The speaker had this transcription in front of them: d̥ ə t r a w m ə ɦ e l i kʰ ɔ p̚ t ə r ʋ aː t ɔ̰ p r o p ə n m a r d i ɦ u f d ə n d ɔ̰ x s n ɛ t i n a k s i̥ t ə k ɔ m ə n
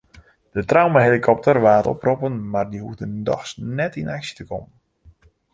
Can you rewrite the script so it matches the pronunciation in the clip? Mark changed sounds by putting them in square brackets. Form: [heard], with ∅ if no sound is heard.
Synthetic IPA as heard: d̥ ə t r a w m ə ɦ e l i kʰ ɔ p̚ t ə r ʋ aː t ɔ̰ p r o p ə n m a r d i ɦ u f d ə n d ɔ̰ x s n ɛ t i n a k s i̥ t ə k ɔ m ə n